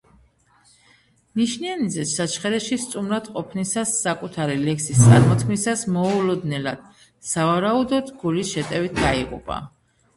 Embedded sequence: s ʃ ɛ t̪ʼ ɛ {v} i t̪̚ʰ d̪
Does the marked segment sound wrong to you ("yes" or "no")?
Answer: no